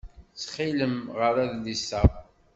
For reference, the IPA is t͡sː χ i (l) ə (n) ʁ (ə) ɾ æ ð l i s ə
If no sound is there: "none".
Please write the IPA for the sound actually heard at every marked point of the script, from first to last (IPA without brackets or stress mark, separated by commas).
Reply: l, m, ə